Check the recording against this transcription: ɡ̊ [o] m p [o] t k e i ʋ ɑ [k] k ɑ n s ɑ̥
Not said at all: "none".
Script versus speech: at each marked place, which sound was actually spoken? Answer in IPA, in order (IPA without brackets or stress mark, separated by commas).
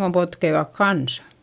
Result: o, o, k